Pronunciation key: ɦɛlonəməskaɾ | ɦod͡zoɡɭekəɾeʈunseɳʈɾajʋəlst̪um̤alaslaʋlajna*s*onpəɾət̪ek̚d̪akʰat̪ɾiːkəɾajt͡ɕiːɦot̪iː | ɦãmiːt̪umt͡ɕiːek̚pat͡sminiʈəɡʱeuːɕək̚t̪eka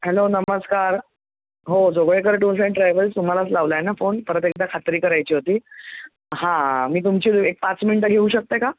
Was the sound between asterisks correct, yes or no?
no